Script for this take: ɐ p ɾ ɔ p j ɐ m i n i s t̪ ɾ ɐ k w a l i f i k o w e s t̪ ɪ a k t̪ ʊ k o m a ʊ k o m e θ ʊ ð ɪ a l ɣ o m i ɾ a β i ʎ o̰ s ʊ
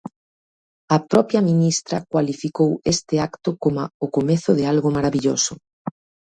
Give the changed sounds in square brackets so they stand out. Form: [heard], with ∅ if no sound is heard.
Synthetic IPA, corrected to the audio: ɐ p ɾ ɔ p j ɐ m i n i s t̪ ɾ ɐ k w a l i f i k o w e s t̪ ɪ a k t̪ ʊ k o m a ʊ k o m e θ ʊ ð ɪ a l ɣ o m [a] ɾ a β i ʎ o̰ s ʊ